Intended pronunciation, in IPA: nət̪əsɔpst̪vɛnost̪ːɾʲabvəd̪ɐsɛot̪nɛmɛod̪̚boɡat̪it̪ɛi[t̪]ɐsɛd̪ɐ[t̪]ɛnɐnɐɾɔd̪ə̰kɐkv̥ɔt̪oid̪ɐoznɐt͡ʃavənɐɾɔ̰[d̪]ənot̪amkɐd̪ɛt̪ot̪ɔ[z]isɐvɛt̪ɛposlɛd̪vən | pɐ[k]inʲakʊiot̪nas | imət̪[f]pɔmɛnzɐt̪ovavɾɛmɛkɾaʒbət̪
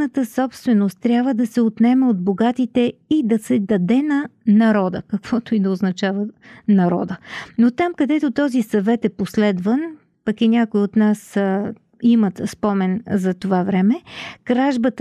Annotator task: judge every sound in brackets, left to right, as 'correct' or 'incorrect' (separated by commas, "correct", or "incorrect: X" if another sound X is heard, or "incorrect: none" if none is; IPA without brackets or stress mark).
incorrect: d̪, incorrect: d̪, correct, correct, correct, incorrect: s